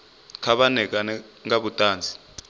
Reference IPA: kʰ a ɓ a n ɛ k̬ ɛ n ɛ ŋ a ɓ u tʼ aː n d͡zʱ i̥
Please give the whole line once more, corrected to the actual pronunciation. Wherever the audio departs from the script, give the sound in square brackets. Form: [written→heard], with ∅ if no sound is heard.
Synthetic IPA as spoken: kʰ a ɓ a n ɛ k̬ [ɛ→a] n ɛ ŋ a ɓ u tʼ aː n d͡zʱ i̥